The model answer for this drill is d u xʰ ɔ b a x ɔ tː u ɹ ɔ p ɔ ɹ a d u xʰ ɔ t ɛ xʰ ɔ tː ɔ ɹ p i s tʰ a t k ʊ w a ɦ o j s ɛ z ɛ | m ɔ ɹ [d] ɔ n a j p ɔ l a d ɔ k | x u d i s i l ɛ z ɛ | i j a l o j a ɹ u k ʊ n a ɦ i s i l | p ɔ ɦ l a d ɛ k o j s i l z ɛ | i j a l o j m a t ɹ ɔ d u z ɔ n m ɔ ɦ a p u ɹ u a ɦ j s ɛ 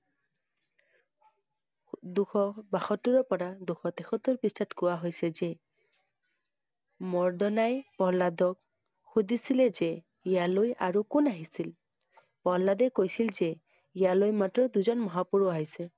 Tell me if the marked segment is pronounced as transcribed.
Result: yes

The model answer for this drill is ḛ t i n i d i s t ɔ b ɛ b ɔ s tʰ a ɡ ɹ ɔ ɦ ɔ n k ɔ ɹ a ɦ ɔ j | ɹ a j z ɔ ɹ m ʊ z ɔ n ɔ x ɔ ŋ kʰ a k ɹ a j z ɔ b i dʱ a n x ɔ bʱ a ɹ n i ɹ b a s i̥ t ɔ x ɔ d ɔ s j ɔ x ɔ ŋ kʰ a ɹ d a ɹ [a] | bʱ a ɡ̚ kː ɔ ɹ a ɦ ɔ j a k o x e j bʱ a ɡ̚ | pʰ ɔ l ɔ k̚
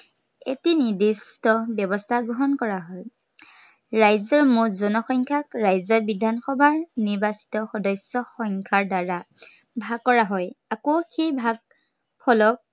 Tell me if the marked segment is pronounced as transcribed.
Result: yes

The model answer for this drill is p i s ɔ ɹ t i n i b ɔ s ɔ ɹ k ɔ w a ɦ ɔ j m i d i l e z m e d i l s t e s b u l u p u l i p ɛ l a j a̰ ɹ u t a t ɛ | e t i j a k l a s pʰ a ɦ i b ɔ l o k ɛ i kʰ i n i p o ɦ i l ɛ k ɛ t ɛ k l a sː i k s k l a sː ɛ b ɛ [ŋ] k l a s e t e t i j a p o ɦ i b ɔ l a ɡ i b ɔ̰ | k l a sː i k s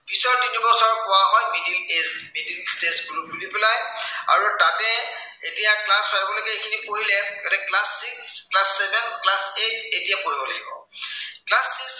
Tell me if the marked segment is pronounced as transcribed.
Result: no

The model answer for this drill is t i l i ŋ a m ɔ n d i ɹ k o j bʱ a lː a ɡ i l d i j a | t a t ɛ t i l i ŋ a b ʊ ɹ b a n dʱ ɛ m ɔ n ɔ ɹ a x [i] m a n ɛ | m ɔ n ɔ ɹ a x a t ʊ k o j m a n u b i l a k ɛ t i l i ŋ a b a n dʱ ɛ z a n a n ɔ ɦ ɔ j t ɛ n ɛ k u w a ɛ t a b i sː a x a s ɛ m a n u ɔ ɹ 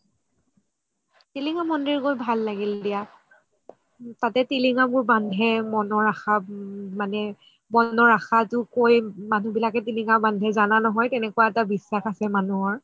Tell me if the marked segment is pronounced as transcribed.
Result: no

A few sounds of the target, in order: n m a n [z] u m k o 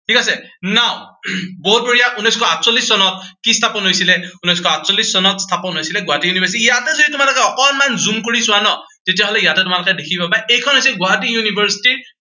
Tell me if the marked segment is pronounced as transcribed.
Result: yes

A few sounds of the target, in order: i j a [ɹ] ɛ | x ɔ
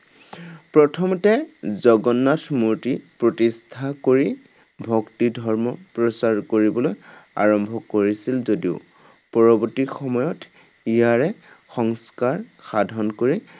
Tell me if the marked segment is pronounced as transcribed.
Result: yes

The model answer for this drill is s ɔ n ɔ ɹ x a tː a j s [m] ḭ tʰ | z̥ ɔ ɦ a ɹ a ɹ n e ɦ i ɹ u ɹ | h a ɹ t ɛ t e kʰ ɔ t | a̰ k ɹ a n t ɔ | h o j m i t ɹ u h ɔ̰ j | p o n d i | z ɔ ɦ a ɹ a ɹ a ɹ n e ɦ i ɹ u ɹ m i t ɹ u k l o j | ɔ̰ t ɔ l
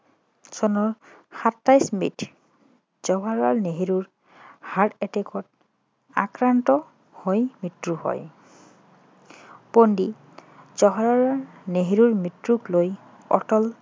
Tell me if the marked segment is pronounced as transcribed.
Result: yes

